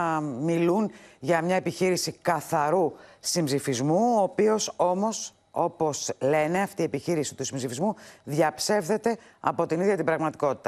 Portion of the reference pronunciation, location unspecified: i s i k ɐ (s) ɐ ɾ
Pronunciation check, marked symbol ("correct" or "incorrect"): incorrect